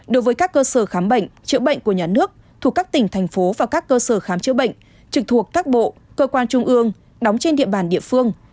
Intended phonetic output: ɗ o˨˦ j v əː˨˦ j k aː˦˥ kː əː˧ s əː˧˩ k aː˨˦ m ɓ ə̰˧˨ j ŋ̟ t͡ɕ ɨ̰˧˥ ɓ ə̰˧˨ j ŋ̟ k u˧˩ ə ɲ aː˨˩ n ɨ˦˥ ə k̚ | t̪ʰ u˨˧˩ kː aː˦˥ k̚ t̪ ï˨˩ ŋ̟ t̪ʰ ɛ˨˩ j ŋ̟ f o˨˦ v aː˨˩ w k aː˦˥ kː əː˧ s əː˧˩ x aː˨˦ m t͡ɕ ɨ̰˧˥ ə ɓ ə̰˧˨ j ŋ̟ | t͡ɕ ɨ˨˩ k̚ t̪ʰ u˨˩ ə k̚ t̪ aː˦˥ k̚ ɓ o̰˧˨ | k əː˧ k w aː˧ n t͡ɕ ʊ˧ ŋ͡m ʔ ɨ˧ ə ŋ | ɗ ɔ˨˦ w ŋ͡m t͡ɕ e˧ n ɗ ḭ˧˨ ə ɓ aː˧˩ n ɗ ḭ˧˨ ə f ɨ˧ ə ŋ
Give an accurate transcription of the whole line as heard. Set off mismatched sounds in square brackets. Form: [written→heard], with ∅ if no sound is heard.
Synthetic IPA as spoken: ɗ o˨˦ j v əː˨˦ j k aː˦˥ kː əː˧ s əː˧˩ [k→x] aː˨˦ m ɓ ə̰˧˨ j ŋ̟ t͡ɕ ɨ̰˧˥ ɓ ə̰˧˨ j ŋ̟ k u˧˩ ə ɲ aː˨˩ n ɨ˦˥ ə k̚ | t̪ʰ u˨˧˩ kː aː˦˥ k̚ t̪ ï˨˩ ŋ̟ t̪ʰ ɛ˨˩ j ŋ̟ f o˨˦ v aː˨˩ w k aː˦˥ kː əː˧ s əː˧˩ x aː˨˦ m t͡ɕ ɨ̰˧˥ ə ɓ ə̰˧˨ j ŋ̟ | t͡ɕ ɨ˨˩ k̚ t̪ʰ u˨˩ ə k̚ t̪ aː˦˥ k̚ ɓ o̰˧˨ | k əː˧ k w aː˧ n t͡ɕ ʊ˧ ŋ͡m ʔ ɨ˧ ə ŋ | ɗ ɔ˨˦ w ŋ͡m t͡ɕ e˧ n ɗ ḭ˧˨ ə ɓ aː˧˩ n ɗ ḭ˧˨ ə f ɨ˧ ə ŋ